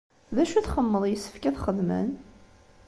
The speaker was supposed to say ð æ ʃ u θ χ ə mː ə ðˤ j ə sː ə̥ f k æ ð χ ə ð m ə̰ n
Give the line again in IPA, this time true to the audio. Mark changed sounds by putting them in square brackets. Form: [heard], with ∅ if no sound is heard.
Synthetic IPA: ð æ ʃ u θ χ ə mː ə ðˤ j ə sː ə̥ f k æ [θ] χ ə ð m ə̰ n